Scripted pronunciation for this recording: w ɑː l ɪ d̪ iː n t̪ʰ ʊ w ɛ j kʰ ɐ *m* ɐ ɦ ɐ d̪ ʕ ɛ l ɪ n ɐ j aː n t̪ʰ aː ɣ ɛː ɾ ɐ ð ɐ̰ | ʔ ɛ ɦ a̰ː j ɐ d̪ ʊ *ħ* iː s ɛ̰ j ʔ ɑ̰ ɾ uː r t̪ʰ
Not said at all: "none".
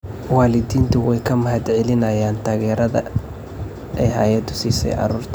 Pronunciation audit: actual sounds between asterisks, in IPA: m, s

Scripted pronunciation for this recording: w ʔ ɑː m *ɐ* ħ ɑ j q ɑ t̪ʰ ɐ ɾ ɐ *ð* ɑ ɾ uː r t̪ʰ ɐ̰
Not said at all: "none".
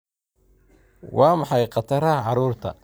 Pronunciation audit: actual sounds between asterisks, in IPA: ɑ, ʕ

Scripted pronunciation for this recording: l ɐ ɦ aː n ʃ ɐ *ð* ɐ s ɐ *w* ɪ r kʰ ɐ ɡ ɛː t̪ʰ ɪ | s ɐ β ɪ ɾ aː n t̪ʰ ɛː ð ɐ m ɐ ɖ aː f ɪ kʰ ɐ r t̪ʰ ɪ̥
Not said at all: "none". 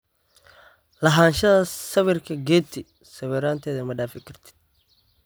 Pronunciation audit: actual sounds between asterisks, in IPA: ð, β

